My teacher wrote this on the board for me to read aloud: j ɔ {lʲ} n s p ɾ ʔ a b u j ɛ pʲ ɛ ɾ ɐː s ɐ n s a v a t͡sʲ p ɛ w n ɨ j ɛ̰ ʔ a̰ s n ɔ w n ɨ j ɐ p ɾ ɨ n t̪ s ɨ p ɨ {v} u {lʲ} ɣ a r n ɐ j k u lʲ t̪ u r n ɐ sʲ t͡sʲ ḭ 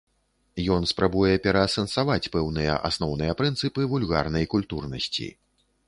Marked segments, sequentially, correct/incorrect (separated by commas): incorrect, correct, correct